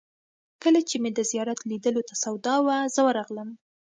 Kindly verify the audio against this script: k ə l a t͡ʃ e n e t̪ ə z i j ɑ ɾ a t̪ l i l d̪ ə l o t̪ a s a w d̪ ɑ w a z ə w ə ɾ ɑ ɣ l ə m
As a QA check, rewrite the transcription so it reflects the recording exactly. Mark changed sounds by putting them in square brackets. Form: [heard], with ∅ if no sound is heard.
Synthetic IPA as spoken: k ə l a t͡ʃ e [m] e [d̪] ə z i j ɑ ɾ a t̪ l i [∅] d̪ ə l o t̪ a s a w d̪ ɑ w a z ə w ə ɾ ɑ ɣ l ə m